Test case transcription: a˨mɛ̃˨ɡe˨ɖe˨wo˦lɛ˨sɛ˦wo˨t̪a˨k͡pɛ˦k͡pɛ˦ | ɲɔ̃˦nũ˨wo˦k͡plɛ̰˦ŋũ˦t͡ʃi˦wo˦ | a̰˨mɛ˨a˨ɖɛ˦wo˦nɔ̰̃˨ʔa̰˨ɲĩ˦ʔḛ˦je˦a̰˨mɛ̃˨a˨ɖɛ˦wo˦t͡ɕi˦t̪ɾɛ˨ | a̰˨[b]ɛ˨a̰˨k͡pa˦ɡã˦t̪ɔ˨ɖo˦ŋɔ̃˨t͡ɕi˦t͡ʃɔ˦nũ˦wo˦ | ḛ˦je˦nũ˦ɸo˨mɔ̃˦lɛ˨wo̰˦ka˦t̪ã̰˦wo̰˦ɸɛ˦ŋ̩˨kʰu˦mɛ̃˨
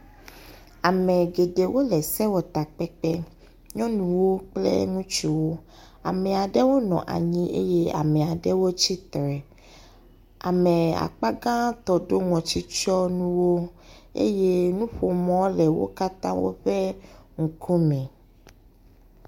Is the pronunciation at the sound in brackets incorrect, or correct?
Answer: incorrect: m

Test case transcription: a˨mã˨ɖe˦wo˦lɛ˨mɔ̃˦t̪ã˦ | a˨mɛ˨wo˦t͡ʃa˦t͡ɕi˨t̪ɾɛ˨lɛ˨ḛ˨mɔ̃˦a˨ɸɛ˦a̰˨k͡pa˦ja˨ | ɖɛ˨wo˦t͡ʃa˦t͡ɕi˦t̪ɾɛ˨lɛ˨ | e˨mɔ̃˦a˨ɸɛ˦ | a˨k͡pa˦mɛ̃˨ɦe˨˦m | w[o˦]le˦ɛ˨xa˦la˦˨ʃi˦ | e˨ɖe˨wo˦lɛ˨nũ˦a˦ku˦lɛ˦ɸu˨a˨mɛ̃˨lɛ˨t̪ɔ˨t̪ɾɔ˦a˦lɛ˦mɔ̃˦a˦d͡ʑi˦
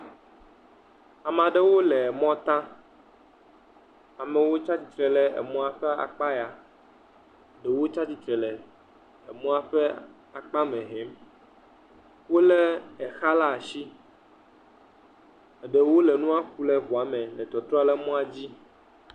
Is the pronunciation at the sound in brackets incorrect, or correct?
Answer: correct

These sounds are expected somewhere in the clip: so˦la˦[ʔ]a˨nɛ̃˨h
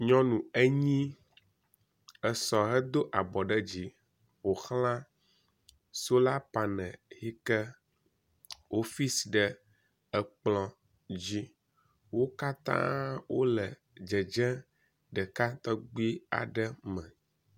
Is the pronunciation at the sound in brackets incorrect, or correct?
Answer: incorrect: p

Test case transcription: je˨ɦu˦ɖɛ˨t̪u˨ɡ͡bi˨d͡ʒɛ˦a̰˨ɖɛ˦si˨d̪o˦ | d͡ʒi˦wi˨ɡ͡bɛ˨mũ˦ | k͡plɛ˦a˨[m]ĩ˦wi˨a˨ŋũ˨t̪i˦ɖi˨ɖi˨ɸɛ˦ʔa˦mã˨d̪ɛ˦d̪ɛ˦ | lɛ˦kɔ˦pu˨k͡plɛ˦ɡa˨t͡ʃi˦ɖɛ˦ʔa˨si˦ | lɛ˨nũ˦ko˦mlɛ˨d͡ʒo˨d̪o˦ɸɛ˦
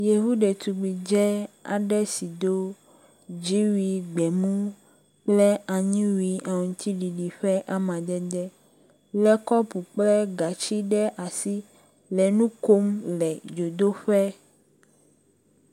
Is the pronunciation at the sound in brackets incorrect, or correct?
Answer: incorrect: ɲ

